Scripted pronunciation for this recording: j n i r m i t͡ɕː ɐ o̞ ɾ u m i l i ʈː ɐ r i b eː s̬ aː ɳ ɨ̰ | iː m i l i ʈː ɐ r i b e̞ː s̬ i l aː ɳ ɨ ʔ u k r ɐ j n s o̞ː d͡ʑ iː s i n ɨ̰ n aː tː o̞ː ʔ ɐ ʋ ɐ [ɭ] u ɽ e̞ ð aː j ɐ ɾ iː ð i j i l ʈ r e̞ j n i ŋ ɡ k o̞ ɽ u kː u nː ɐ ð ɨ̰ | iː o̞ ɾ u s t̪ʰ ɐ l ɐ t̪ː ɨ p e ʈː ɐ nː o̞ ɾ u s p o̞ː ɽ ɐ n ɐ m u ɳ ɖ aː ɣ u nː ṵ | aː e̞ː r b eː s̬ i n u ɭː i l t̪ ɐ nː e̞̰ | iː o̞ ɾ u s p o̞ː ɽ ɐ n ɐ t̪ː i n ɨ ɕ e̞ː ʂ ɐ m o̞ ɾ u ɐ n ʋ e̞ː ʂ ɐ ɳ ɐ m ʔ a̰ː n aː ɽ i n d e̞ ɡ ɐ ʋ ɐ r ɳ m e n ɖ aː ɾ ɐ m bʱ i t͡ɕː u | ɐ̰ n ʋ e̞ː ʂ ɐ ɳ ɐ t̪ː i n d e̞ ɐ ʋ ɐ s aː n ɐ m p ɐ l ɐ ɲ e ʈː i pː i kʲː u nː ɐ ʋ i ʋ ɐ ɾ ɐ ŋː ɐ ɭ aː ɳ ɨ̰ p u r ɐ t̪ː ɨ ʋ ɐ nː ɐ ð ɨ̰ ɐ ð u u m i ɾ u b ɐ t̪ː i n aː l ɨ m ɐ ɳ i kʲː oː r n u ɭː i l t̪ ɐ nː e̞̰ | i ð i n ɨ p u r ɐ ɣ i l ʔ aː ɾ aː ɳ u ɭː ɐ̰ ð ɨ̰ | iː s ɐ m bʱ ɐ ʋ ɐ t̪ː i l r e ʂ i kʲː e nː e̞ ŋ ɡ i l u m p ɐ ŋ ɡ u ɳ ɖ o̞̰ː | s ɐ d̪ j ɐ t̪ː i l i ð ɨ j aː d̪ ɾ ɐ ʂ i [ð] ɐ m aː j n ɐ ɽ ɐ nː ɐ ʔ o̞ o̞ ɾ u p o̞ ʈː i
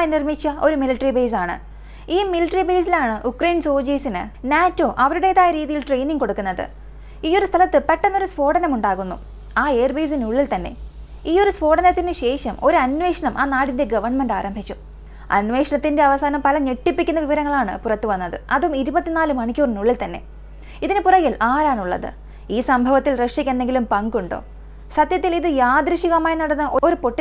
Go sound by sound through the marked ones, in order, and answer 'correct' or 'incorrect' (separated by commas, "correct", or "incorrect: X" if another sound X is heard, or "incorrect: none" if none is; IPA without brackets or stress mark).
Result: incorrect: ɾ, incorrect: ɣ